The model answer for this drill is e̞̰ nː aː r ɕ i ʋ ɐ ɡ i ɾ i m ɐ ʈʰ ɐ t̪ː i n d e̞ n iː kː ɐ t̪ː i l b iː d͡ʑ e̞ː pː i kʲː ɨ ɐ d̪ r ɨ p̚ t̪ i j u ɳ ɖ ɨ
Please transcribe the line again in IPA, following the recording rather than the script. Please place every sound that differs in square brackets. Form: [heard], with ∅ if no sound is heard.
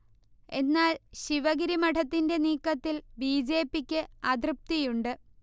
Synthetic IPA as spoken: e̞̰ nː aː [l] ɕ i ʋ ɐ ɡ i ɾ i m ɐ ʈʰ ɐ t̪ː i n d e̞ n iː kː ɐ t̪ː i l b iː d͡ʑ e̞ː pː i kʲː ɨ ɐ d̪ r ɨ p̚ t̪ i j u ɳ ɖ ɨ